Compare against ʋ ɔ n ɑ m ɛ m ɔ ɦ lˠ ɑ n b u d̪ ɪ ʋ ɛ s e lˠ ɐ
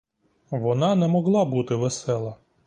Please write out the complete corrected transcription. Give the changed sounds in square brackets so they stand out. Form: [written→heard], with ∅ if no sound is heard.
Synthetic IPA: ʋ ɔ n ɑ [m→n] ɛ m ɔ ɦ lˠ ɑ [n→∅] b u [d̪→t̪] ɪ ʋ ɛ s [e→ɛ] lˠ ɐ